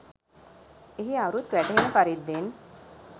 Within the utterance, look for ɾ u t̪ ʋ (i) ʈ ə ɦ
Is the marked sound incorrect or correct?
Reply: incorrect